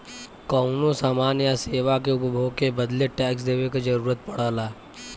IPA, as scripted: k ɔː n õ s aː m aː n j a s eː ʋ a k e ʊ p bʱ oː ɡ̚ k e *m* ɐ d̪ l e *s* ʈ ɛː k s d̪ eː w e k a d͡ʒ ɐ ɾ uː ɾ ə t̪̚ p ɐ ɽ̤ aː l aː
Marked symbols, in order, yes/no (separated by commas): no, no